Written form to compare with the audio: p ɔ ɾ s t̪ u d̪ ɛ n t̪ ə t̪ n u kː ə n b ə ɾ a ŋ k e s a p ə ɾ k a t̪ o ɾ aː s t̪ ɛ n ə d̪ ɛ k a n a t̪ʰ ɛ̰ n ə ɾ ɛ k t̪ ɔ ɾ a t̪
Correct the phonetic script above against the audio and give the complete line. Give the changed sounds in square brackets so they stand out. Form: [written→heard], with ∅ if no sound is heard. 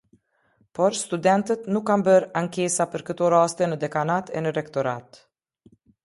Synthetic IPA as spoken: p ɔ ɾ s t̪ u d̪ ɛ n t̪ ə t̪ n u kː [ə→a] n b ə ɾ a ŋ k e s a p ə ɾ k [a→ə] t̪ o ɾ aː s t̪ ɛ n ə d̪ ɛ k a n a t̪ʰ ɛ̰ n ə ɾ ɛ k t̪ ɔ ɾ a t̪